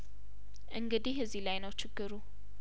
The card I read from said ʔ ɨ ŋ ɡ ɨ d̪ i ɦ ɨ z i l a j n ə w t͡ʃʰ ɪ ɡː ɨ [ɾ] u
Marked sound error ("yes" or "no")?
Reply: no